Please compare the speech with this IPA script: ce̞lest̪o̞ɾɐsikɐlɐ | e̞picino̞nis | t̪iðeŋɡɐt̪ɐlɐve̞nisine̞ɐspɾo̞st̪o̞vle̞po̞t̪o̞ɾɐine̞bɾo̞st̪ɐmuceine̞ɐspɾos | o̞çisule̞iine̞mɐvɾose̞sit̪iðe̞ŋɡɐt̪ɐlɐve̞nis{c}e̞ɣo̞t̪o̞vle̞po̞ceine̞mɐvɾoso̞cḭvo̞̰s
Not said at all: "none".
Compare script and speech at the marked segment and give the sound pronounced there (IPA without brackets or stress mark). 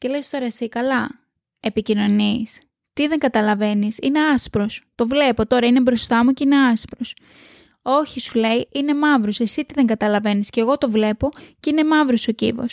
c